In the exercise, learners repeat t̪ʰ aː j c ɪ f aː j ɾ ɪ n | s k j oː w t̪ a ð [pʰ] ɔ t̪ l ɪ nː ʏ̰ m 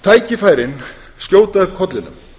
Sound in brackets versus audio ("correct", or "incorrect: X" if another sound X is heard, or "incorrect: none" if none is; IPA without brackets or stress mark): incorrect: kʰ